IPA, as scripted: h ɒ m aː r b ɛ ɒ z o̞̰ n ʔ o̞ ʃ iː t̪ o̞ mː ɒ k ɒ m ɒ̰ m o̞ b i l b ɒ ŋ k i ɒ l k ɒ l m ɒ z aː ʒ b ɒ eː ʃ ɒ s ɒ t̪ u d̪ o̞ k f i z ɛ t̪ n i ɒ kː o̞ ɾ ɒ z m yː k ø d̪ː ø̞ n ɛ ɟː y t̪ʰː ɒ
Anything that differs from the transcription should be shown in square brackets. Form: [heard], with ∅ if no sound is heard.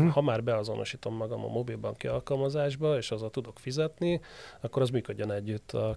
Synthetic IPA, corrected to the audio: h ɒ m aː r b ɛ ɒ z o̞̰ n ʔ o̞ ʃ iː t̪ o̞ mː ɒ [ɡ] ɒ m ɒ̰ m o̞ b i l b ɒ ŋ k i ɒ l k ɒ l m ɒ z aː ʒ b ɒ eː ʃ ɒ [z] ɒ t̪ u d̪ o̞ k f i z ɛ t̪ n i ɒ kː o̞ ɾ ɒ z m yː k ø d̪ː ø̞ n ɛ ɟː y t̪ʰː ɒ